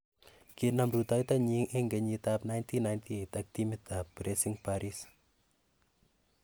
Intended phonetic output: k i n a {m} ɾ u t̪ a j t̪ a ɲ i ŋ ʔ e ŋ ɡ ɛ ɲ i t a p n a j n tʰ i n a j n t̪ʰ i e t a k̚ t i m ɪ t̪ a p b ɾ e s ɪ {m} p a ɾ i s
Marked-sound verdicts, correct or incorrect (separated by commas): correct, incorrect